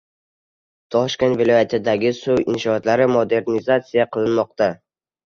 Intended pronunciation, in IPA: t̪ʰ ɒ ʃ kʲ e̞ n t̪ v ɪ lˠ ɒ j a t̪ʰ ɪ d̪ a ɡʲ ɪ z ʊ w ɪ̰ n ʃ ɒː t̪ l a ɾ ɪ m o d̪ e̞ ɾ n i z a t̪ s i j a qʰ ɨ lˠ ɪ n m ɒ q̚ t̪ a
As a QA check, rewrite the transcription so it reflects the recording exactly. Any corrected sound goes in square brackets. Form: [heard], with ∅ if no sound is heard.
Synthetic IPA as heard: t̪ʰ ɒ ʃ kʲ e̞ n t̪ v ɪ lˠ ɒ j a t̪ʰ ɪ d̪ a ɡʲ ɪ [s] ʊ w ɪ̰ n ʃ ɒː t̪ l a ɾ ɪ m o d̪ e̞ ɾ n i z a t̪ s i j a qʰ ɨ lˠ ɪ n m ɒ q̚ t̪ a